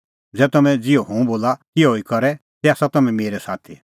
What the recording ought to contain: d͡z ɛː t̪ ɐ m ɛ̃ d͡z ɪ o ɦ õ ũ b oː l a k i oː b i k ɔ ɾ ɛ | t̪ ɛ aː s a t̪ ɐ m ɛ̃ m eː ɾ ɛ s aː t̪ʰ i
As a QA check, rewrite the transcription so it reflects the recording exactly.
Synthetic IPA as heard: d͡z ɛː t̪ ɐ m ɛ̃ d͡z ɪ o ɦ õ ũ b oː l a k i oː i k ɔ ɾ ɛ | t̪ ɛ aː s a t̪ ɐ m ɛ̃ m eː ɾ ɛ s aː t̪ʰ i